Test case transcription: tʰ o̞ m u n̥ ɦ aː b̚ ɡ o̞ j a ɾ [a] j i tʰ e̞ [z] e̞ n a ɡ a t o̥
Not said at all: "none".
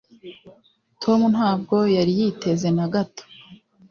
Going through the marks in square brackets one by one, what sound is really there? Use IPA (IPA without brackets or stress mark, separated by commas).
i, z